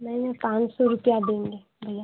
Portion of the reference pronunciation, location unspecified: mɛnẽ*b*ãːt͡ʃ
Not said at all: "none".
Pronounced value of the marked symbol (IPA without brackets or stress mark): p